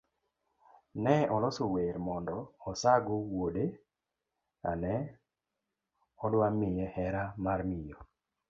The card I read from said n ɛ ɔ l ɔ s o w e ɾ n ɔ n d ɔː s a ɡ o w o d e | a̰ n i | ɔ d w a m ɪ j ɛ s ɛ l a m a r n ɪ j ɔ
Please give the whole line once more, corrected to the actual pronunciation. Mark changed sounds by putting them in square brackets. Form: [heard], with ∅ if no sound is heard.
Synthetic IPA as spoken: n ɛ ɔ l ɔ s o w e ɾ [m] ɔ n d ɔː s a ɡ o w o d e | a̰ n [ɛ] | ɔ d w a m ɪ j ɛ [h] ɛ [ɾ] a m a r [m] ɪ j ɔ